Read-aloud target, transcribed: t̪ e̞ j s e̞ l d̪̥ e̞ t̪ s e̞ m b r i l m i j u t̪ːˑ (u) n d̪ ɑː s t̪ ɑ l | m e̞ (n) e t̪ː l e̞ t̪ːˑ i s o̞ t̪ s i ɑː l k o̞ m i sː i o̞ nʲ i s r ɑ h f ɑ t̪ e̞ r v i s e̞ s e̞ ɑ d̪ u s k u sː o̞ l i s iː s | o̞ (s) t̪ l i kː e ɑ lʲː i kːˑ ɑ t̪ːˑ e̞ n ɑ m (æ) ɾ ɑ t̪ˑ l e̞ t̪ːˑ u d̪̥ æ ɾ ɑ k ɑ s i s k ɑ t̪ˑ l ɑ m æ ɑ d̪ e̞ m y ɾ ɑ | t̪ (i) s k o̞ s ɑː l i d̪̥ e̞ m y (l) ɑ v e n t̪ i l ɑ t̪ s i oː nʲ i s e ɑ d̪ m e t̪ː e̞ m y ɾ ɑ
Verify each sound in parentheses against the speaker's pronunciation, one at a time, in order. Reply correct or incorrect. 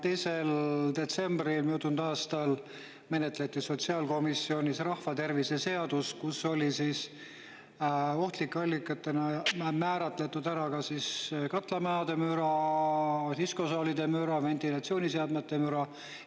correct, correct, incorrect, incorrect, correct, incorrect

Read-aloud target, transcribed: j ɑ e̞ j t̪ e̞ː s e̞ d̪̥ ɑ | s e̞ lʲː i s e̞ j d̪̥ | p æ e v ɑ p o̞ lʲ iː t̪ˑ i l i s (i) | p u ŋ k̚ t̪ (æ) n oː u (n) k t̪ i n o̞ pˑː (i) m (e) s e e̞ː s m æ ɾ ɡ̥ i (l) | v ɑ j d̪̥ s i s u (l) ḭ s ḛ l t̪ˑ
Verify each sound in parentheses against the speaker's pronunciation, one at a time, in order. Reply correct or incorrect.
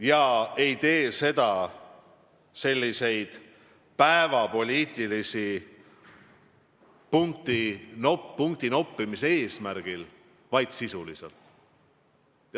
correct, incorrect, incorrect, correct, incorrect, correct, correct

